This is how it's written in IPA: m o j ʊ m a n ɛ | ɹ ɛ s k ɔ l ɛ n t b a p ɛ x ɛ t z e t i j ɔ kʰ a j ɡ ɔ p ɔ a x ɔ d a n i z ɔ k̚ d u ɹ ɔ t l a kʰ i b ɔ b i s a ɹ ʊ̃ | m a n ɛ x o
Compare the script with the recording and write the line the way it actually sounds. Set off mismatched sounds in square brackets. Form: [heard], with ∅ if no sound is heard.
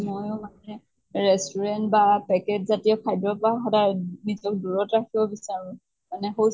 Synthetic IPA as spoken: m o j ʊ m a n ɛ | ɹ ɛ s [t] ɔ [ɹ] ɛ n t b a p ɛ [k] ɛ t z [a] t i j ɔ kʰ a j [d] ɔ p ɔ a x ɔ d a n i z ɔ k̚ d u ɹ ɔ t [ɹ] a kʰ i b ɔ b i s a ɹ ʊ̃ | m a n ɛ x o